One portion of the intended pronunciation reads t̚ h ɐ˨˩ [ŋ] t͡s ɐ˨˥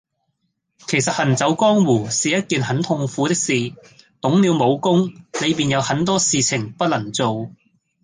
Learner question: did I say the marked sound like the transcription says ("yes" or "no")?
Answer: no